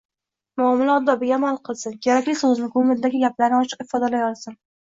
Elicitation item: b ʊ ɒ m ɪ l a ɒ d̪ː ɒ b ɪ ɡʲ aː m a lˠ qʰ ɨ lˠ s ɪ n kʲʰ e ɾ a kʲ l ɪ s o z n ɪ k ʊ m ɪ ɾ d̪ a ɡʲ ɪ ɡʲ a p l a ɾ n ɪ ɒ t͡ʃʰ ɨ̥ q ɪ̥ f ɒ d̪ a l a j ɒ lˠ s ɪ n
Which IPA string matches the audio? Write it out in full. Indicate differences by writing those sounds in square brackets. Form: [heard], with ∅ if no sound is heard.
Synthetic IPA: [m] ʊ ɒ m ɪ l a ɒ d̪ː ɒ b ɪ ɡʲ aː m a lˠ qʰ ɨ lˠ s ɪ n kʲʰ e ɾ a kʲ l ɪ s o z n ɪ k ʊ m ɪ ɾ d̪ a ɡʲ ɪ ɡʲ a p l a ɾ n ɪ ɒ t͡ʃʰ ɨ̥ q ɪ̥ f ɒ d̪ a l a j ɒ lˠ s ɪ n